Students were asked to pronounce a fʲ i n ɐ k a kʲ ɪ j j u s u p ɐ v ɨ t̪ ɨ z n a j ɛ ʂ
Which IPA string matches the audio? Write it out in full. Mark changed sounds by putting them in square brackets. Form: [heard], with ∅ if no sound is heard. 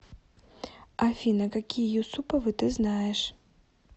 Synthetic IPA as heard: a fʲ i n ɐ k a kʲ [i] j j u s u p ɐ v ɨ t̪ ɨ z n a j ɛ ʂ